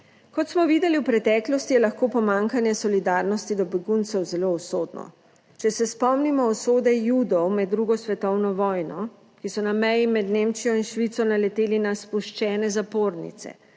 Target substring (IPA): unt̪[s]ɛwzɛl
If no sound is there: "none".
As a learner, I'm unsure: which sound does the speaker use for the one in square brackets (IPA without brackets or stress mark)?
s